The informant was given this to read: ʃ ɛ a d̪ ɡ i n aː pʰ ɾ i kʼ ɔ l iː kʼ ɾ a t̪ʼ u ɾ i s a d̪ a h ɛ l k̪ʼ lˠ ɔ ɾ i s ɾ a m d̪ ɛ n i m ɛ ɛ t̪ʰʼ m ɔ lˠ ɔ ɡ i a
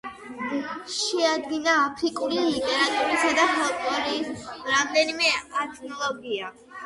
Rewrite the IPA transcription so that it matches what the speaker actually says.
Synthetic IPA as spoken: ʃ ɛ a d̪ ɡ i n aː pʰ ɾ i kʼ u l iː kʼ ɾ a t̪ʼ u ɾ i s a d̪ a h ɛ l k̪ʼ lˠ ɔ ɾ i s ɾ a m d̪ ɛ n i m ɛ a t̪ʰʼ n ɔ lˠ ɔ ɡ i a